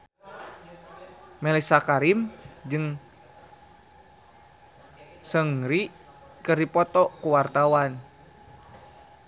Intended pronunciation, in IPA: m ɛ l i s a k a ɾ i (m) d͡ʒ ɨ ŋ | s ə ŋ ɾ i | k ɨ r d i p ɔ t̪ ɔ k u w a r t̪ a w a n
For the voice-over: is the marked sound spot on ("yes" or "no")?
yes